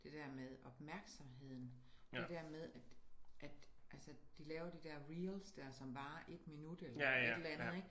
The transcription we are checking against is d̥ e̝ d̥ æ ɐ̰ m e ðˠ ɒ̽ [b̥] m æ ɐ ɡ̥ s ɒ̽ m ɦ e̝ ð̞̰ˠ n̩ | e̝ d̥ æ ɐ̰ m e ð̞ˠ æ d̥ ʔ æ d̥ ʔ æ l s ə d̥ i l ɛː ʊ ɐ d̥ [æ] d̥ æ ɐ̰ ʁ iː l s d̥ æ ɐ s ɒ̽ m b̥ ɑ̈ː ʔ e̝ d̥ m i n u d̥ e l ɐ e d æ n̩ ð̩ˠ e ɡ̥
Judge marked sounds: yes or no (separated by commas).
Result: yes, no